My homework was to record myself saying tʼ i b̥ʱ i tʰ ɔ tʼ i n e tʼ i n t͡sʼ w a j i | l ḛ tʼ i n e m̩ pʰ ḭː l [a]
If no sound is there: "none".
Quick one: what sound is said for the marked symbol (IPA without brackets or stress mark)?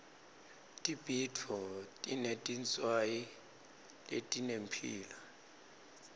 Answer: a